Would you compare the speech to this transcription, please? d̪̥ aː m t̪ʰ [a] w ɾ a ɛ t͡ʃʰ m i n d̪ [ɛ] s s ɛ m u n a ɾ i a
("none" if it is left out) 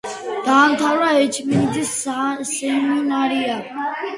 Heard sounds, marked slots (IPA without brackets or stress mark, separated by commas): a, i